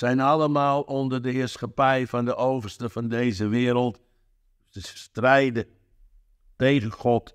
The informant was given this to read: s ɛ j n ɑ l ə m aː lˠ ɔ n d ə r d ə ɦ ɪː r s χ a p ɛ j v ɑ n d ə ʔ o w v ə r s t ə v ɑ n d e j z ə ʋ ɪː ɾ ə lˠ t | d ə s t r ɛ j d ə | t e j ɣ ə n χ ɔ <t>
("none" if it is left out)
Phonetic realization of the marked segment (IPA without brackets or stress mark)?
t